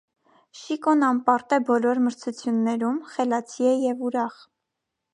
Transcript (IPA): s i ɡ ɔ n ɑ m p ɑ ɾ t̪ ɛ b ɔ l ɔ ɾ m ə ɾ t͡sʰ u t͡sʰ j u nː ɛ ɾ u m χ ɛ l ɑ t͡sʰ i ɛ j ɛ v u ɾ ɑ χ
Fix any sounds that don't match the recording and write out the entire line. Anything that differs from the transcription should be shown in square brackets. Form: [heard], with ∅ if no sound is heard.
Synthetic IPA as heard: [ʃ] i [k] ɔ n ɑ m p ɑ ɾ t̪ ɛ b ɔ l ɔ ɾ m ə ɾ t͡sʰ u t͡sʰ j u nː ɛ ɾ u m χ ɛ l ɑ t͡sʰ i ɛ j ɛ v u ɾ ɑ χ